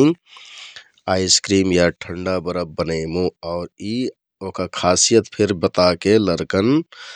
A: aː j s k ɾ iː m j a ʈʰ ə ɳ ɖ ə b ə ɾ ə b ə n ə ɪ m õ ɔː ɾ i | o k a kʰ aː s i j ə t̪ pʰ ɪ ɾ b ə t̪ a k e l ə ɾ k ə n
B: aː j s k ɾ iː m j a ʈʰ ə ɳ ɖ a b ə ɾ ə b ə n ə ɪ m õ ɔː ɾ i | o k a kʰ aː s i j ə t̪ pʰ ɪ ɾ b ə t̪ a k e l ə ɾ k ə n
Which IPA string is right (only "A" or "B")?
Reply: B